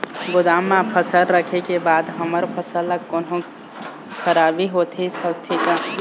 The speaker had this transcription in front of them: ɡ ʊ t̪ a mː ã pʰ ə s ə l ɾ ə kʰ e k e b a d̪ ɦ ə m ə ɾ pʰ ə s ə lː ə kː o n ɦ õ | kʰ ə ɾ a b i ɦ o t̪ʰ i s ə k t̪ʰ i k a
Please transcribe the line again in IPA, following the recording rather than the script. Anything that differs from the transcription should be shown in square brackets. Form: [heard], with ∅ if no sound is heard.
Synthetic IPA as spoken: ɡ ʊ [d̪] a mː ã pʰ ə s ə l ɾ ə kʰ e k e b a d̪ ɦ ə m ə ɾ pʰ ə s ə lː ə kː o n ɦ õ | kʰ ə ɾ a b i ɦ o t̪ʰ i s ə k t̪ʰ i k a